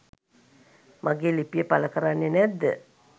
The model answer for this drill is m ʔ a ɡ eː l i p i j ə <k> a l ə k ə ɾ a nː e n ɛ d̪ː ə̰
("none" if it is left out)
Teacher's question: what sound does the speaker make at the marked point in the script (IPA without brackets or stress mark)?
p